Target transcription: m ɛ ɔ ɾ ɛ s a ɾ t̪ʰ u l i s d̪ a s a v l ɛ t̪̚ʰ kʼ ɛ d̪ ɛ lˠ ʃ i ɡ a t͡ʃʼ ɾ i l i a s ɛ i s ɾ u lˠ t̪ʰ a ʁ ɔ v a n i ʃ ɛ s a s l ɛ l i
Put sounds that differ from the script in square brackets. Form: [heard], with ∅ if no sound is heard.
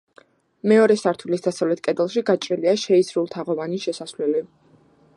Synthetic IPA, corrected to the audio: m ɛ ɔ ɾ ɛ s a ɾ t̪ʰ u l i s d̪ a s a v l ɛ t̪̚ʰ kʼ ɛ d̪ ɛ lˠ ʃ i ɡ a t͡ʃʼ ɾ i l i a [ʃ] ɛ i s ɾ u lˠ t̪ʰ a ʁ ɔ v a n i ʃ ɛ s a s l ɛ l i